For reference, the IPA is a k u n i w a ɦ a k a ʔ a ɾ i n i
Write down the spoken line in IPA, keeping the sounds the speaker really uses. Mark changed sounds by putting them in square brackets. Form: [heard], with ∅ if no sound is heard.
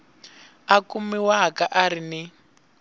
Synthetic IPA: a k u [m] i w a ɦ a k a ʔ a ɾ i n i